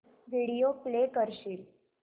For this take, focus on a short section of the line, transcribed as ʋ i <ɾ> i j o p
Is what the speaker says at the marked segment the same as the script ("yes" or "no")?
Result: no